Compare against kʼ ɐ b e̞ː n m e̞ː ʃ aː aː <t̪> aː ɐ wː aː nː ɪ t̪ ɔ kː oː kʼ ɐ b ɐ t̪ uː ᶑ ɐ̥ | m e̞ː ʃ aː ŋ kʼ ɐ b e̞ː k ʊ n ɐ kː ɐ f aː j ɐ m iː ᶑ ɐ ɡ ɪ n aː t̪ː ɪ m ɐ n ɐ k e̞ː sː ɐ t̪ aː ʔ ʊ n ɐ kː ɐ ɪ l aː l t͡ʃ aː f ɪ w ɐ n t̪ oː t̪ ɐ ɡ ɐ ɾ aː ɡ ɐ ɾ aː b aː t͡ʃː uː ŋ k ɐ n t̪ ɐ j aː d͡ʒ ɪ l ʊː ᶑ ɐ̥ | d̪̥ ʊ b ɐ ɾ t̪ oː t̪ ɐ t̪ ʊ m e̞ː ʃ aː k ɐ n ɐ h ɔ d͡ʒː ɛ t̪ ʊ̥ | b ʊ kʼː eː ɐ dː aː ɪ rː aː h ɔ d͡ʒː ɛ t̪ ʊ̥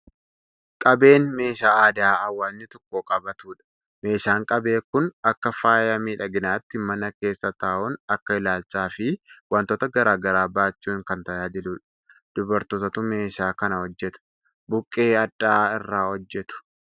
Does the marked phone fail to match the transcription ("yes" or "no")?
yes